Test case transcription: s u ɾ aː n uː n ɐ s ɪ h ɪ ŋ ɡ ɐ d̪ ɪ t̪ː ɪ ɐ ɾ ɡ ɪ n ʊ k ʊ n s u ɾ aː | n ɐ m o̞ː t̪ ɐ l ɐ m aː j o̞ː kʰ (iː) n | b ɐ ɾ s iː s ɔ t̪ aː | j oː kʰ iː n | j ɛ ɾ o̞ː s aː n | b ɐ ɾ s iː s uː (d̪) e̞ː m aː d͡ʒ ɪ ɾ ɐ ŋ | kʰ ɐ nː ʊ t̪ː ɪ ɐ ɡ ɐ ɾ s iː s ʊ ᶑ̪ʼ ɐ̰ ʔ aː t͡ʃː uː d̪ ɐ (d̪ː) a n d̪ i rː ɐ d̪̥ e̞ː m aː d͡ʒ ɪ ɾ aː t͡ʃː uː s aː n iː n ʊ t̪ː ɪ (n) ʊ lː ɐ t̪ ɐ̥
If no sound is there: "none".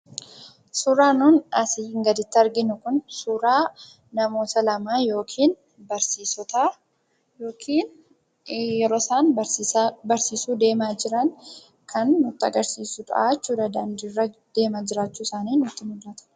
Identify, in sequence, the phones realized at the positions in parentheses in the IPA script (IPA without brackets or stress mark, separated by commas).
iː, d̪, d̪, m